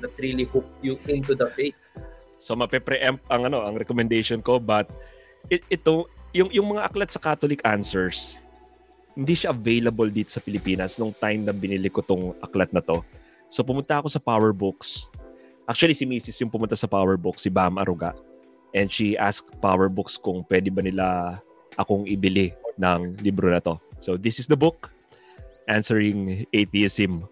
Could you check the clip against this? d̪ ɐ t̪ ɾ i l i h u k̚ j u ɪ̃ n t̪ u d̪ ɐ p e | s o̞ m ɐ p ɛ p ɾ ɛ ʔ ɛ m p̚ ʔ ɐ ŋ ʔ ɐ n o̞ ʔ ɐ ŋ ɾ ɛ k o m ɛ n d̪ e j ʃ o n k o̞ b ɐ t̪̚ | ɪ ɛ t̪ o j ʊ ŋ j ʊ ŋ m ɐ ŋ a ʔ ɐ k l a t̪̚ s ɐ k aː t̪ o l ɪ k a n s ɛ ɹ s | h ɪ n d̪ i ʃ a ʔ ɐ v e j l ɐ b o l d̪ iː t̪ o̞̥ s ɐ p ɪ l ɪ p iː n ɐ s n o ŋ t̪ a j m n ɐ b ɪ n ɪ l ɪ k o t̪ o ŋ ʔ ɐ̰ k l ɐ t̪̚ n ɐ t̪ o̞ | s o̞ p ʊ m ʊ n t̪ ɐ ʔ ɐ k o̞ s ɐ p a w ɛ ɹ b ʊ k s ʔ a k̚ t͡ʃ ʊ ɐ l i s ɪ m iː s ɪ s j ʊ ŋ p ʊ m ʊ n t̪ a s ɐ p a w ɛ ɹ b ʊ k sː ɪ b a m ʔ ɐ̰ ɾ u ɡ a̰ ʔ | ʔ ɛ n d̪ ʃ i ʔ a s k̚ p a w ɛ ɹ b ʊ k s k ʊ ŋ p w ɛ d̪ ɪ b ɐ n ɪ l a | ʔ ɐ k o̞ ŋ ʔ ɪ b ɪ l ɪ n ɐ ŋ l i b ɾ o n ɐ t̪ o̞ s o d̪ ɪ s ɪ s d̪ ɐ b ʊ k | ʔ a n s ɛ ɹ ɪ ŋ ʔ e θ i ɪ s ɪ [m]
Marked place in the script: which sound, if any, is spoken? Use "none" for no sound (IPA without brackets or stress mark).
m